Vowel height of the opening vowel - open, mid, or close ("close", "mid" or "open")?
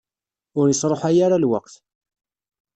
close